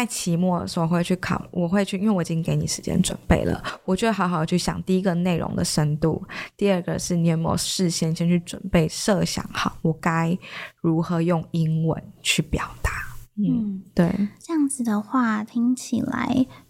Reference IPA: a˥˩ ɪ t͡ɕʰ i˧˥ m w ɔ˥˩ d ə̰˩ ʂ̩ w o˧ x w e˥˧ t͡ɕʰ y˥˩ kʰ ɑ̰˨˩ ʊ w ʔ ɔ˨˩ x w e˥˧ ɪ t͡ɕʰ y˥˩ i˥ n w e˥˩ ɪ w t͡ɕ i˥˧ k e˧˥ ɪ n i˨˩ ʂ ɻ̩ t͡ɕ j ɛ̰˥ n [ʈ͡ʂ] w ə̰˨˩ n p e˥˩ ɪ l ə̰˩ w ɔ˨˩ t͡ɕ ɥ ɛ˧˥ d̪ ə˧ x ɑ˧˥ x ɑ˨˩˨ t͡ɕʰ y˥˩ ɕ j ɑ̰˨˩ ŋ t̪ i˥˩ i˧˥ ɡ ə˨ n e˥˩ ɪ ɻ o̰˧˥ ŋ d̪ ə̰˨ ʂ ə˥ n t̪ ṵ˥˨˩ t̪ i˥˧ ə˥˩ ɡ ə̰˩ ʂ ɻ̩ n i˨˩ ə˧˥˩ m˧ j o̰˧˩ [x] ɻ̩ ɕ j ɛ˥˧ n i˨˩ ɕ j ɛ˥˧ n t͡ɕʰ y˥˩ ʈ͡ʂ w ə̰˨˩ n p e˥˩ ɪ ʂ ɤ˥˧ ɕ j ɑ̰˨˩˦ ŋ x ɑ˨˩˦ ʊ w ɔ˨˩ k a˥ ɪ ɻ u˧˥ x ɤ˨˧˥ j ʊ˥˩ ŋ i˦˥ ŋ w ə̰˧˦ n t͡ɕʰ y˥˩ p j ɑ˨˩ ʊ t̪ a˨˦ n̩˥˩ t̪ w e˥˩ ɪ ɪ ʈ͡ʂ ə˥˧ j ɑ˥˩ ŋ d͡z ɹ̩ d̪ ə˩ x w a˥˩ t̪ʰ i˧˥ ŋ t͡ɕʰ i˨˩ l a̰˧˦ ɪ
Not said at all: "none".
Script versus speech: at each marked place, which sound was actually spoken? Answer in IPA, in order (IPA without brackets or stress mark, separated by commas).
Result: ʈ͡ʂ, ʂ